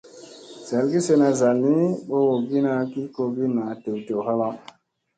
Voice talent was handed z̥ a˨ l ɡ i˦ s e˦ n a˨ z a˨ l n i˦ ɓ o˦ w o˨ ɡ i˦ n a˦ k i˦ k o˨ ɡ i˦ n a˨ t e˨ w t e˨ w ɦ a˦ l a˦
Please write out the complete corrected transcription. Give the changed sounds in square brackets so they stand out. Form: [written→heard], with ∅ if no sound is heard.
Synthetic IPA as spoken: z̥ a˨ l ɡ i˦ s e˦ n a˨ z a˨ l n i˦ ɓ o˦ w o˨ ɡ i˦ n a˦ k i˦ k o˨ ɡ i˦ n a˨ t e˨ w t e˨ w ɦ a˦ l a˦